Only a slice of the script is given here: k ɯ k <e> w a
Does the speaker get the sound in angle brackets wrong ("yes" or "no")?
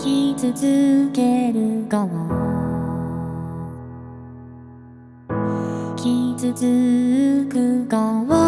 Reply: yes